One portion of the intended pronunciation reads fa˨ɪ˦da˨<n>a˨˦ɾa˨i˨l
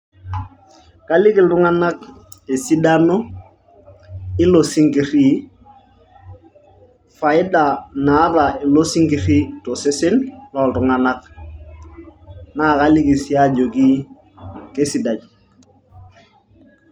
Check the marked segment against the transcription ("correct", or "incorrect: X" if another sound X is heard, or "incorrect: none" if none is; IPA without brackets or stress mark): correct